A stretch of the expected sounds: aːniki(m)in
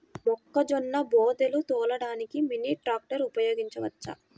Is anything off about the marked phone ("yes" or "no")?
no